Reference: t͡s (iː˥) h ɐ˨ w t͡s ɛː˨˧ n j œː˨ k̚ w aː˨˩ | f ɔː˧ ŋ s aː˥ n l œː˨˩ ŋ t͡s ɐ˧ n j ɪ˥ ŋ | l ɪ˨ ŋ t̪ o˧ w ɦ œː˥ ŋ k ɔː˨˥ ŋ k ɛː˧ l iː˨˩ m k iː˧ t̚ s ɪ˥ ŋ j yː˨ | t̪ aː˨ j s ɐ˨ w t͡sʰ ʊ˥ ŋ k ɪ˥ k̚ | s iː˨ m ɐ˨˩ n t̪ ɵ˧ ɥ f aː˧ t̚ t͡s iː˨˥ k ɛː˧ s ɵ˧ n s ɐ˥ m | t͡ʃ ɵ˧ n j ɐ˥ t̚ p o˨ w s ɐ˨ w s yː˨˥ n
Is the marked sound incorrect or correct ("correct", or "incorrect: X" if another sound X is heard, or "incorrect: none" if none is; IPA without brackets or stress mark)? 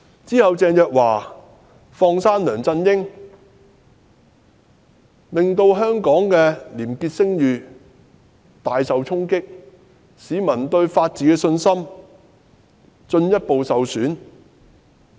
correct